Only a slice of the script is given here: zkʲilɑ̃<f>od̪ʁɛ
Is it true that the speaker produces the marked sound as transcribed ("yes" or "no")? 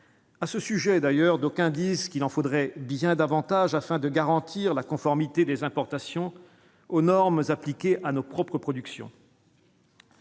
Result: yes